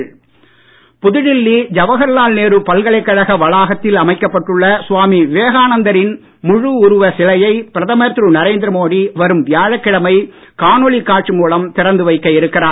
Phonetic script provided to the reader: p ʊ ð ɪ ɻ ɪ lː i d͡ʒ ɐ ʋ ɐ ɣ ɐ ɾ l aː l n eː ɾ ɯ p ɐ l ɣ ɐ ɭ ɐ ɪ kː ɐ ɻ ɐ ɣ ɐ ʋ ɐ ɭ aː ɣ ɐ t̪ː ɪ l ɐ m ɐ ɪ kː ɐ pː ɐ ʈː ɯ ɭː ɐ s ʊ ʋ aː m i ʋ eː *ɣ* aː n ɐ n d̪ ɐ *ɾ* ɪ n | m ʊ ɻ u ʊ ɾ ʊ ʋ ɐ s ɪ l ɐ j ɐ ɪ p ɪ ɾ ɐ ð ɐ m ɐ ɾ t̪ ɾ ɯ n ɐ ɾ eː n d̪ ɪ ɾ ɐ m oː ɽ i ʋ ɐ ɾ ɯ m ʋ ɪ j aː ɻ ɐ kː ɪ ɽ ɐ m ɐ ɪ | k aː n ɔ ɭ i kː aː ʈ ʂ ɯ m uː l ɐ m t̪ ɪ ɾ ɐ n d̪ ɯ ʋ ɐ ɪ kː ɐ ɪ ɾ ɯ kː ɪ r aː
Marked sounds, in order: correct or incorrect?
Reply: correct, correct

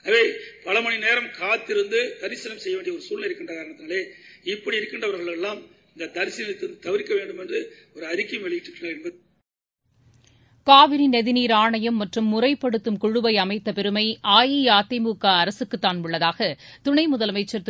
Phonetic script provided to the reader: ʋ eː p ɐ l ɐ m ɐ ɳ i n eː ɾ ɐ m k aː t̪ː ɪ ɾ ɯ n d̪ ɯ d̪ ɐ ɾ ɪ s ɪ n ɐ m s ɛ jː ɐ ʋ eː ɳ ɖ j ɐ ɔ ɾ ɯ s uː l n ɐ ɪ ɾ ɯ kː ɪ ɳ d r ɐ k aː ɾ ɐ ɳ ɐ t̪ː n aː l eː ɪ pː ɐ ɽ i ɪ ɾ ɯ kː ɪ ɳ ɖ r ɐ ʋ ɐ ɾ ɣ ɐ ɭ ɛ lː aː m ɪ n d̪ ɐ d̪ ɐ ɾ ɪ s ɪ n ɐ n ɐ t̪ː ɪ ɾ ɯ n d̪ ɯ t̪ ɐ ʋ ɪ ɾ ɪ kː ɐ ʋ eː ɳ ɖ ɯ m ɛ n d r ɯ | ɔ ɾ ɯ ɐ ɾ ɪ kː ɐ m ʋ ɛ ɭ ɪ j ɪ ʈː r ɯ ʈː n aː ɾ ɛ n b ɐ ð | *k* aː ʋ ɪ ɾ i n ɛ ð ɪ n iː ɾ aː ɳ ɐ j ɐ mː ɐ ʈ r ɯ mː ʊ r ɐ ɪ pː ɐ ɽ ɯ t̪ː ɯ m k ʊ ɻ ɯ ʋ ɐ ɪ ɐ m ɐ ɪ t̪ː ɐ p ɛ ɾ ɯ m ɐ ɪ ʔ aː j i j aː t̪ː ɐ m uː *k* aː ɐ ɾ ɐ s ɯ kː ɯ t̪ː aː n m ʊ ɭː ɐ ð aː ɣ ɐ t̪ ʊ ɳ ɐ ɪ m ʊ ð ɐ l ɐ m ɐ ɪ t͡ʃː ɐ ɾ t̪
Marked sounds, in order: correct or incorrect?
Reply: correct, correct

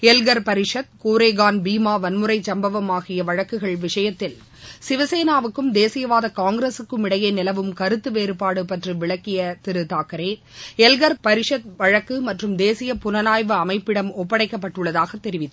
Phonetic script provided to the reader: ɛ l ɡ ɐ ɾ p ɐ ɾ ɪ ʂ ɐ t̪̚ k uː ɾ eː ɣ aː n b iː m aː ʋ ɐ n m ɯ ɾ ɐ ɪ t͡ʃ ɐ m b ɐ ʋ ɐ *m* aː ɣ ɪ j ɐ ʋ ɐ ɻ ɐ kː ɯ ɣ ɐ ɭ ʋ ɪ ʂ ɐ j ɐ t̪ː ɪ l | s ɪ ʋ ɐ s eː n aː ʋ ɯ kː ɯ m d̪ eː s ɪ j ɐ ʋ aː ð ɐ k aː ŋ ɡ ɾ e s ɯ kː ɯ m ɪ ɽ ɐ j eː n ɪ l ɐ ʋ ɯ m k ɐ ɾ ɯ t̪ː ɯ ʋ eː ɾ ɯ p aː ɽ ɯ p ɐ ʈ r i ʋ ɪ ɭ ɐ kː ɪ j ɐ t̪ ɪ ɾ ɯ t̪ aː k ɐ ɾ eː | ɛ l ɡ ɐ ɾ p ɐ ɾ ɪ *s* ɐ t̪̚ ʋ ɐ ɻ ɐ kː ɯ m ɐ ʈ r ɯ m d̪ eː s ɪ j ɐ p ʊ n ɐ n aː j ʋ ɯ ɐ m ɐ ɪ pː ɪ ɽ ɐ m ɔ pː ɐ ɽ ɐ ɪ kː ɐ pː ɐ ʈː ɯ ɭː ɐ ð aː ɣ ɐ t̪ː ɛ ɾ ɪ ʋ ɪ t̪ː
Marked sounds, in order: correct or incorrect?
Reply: correct, incorrect

